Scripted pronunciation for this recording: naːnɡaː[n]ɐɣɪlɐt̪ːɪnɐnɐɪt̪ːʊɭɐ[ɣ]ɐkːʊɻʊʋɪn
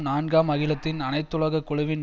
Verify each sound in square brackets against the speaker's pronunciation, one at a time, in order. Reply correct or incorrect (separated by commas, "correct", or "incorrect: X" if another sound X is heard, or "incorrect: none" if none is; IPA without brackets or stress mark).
incorrect: m, correct